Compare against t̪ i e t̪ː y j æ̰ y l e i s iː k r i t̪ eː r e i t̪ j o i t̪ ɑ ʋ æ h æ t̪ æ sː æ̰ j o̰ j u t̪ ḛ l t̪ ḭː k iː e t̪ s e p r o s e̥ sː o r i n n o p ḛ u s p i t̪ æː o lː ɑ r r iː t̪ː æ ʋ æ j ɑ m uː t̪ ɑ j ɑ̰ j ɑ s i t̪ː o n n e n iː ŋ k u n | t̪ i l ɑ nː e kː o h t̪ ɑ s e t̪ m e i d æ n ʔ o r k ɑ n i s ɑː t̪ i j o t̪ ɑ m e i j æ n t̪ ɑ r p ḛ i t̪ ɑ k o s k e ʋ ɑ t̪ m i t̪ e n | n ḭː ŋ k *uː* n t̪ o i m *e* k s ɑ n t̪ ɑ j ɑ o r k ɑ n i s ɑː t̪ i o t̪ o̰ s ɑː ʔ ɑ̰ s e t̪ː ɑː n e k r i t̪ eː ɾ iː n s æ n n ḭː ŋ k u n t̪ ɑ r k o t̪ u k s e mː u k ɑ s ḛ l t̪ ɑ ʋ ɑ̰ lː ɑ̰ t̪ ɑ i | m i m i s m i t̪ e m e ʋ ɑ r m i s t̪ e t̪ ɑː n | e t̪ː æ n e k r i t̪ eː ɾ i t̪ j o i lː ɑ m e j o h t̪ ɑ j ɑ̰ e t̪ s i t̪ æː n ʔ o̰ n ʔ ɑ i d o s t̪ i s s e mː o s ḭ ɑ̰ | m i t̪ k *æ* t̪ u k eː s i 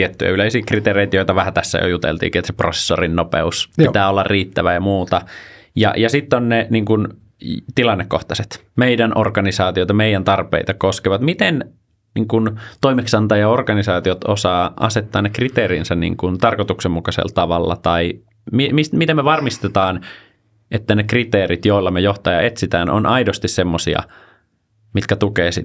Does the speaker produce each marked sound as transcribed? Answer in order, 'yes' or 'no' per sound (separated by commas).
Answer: no, yes, yes